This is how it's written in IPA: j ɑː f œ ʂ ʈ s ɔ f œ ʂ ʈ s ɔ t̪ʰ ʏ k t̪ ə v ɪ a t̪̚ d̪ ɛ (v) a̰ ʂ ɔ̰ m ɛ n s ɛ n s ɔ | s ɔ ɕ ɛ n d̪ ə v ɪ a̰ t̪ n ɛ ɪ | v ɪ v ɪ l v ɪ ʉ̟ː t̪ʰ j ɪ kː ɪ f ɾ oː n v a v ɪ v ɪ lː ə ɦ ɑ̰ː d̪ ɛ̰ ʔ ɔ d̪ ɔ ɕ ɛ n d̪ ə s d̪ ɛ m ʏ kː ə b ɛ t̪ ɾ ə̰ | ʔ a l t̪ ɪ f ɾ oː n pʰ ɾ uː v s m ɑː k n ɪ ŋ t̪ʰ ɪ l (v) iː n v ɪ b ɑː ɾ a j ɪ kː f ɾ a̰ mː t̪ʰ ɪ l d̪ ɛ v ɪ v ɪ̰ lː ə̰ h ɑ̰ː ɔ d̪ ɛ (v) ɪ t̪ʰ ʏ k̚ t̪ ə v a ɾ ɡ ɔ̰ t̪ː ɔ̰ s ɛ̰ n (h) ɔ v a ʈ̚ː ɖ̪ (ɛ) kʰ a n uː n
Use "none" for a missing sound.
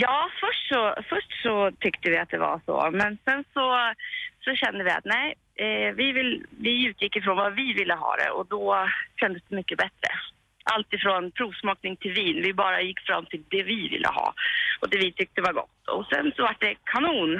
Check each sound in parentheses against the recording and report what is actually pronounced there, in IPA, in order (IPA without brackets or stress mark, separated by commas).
v, v, v, s, ɛ